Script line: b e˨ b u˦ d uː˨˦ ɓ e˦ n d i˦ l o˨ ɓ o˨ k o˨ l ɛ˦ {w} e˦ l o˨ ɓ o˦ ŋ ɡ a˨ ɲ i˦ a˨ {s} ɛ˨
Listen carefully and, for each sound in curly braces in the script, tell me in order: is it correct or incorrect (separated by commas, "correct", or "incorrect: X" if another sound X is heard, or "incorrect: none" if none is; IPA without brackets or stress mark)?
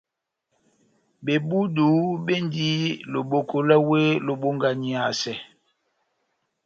correct, correct